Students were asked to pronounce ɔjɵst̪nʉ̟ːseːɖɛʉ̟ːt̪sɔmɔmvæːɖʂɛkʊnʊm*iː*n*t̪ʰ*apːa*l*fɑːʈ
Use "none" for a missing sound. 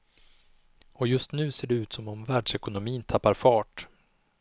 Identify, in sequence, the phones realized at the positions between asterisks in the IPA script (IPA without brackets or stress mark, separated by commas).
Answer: iː, t̪ʰ, ɾ